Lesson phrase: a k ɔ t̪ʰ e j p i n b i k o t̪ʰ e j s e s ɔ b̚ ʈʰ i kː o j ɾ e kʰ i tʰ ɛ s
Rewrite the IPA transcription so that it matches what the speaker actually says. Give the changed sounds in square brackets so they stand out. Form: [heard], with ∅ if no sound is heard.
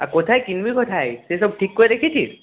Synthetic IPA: a k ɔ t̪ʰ [a] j [k] i n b i k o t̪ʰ [a] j s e s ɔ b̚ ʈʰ i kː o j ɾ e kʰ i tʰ [i] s